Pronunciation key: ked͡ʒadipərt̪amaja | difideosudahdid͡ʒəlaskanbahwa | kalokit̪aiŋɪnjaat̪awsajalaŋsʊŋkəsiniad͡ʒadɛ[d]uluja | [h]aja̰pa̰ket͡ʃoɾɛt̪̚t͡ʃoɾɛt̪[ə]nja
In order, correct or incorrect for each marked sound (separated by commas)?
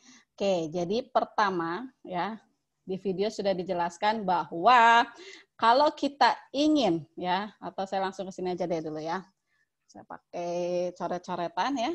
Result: correct, incorrect, incorrect